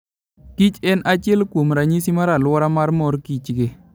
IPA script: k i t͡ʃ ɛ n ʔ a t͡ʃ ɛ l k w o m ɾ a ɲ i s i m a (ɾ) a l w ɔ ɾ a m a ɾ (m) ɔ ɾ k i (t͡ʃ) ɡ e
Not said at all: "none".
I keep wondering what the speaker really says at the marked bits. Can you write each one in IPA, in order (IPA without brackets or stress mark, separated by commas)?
ɾ, m, t͡ʃ